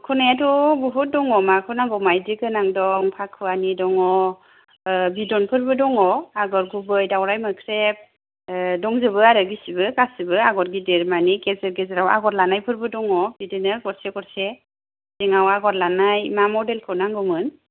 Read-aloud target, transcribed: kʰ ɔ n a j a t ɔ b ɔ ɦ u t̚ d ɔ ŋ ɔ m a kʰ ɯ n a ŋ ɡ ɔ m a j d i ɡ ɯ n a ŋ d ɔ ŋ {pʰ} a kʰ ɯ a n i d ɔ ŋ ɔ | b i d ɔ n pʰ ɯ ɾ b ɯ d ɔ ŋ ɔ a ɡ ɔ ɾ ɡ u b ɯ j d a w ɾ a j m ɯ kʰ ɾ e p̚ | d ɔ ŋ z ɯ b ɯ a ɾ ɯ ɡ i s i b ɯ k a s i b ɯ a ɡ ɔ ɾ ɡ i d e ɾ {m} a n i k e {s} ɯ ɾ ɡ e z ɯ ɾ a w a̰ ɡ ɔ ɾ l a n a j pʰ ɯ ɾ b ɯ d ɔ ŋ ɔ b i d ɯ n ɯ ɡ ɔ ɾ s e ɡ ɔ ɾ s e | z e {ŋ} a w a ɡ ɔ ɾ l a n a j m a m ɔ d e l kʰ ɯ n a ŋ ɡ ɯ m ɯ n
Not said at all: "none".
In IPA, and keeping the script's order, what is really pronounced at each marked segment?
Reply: pʰ, m, z, ŋ

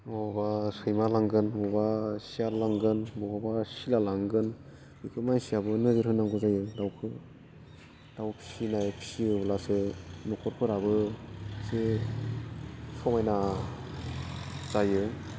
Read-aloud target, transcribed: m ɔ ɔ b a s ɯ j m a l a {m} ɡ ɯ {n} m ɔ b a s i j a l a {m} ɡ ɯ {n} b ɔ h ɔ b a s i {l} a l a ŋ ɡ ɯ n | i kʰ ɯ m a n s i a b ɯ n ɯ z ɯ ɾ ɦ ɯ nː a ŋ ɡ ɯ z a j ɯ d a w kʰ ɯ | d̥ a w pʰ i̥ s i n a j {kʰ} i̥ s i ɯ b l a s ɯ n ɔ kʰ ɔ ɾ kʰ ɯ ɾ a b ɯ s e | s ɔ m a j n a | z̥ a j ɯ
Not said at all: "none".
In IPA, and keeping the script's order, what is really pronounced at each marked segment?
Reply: ŋ, n, ŋ, n, l, pʰ

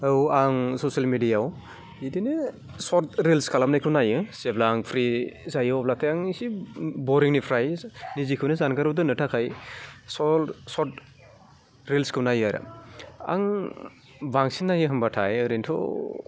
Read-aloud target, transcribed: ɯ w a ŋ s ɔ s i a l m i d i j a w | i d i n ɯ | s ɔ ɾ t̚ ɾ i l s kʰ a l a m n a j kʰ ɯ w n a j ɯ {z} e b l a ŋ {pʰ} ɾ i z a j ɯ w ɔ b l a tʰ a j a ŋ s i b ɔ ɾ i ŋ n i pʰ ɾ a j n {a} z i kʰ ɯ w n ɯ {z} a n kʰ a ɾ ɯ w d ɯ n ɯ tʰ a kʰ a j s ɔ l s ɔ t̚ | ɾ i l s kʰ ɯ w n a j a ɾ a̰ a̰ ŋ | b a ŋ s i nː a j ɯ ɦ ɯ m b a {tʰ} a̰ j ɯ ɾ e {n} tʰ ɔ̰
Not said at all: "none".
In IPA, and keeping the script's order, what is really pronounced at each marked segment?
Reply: s, pʰ, i, z, tʰ, n

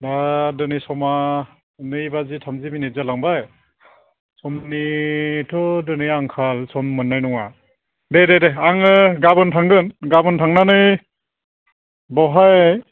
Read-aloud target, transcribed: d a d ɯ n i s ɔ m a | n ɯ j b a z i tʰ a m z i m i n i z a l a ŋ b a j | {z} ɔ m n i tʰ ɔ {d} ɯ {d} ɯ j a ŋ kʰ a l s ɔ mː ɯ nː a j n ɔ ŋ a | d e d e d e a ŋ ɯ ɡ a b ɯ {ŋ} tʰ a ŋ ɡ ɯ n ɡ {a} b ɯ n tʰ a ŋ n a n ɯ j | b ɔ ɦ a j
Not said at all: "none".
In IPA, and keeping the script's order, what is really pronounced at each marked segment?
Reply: s, d, n, n, a

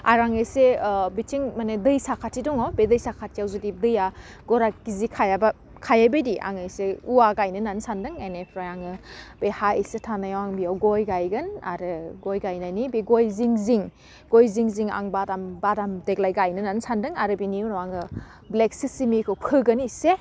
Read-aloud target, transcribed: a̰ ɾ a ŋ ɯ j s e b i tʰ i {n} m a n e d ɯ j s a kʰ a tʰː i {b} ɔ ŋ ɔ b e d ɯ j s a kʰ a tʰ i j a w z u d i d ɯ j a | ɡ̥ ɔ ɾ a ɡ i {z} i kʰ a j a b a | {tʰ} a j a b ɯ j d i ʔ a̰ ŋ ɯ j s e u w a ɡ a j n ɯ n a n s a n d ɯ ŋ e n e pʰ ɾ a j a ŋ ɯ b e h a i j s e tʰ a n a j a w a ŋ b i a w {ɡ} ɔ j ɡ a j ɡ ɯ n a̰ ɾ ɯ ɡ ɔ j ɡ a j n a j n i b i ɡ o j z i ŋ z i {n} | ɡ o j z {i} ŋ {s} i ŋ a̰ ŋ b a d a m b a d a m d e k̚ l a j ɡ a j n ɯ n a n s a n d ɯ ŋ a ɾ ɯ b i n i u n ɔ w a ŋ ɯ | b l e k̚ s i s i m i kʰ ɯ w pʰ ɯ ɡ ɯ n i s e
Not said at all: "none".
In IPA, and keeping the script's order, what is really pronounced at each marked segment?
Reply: ŋ, d, z, kʰ, ɡ, ŋ, i, z

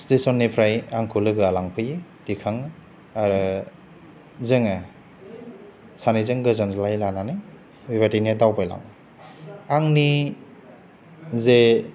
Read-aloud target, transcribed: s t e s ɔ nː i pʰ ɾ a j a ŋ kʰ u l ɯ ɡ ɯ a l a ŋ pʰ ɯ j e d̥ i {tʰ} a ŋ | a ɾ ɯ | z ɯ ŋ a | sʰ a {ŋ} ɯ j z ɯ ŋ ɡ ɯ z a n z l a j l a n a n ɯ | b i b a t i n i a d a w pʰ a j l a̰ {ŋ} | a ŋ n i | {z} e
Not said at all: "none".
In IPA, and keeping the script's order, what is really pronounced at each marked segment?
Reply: kʰ, n, ŋ, z

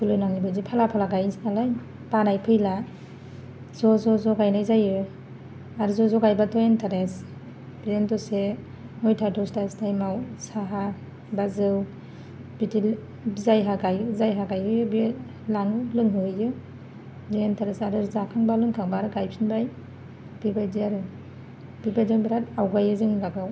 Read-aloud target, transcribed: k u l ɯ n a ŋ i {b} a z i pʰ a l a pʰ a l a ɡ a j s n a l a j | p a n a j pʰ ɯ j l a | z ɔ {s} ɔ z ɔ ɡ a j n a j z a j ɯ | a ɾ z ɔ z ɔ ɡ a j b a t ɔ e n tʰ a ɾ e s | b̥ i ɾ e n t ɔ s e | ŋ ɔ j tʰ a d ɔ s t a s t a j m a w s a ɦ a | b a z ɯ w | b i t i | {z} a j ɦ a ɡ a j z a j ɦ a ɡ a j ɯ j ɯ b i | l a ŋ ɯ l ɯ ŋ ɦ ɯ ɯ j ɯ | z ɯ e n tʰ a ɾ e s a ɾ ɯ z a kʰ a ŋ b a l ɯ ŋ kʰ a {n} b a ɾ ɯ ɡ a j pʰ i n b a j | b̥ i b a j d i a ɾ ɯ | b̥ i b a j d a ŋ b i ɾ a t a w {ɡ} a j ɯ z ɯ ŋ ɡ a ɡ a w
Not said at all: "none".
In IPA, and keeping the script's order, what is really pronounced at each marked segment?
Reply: b, z, z, ŋ, ɡ

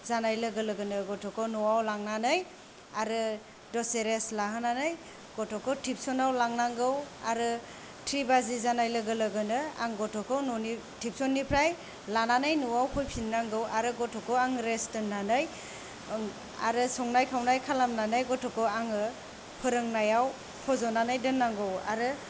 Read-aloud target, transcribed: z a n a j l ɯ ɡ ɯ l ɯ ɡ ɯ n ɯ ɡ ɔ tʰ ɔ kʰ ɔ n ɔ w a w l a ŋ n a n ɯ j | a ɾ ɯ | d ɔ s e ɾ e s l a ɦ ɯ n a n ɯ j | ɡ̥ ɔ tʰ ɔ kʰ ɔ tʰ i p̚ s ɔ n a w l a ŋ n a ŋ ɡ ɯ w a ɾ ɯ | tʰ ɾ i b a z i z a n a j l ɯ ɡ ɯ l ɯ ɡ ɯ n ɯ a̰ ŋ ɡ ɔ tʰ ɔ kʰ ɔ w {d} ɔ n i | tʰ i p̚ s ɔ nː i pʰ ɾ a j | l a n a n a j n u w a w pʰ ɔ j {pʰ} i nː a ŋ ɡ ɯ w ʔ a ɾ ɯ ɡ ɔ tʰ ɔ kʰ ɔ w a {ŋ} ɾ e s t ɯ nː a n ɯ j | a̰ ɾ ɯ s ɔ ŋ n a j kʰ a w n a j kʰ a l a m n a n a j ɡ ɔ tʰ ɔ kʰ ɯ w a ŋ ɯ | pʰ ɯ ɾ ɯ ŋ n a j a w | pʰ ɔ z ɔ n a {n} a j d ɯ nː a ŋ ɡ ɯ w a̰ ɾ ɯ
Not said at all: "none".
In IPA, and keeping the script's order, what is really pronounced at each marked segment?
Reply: n, pʰ, ŋ, n

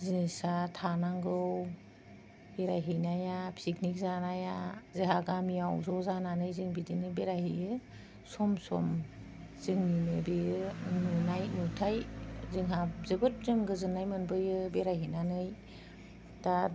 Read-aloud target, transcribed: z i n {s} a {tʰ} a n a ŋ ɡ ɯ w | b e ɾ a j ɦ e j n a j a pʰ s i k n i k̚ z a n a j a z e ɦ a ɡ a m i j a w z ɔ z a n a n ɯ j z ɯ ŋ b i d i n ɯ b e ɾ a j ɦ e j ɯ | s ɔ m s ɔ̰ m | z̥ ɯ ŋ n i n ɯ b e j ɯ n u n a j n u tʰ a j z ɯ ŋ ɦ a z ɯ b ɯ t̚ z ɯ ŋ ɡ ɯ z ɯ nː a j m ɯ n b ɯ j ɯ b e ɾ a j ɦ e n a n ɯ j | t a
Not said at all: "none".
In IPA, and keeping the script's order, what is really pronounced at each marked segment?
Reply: s, tʰ

